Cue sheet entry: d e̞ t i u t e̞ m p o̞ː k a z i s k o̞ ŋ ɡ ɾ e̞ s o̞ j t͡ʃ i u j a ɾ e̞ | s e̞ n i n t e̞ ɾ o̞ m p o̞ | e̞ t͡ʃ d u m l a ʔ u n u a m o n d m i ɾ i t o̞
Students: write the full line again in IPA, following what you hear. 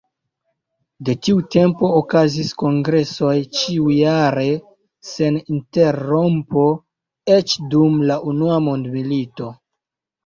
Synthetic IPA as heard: d e̞ t i u t e̞ m p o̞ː k a z i s k o̞ ŋ ɡ ɾ e̞ s o̞ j t͡ʃ i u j a ɾ e̞ | s e̞ n i n t e̞ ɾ o̞ m p o̞ | e̞ t͡ʃ d u m l a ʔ u n u a m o n d m i l i t o̞